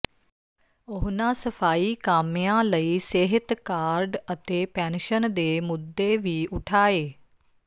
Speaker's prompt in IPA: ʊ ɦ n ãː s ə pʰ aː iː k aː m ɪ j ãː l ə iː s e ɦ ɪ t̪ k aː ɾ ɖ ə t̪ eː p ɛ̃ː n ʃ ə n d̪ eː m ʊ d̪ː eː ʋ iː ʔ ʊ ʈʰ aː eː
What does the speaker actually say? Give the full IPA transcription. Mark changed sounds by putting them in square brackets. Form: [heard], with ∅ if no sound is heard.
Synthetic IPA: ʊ ɦ n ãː s ə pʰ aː iː k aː m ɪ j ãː l ə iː s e ɦ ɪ t̪ k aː ɾ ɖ ə t̪ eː p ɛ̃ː n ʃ ə n d̪ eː m ʊ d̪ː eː ʋ iː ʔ ʊ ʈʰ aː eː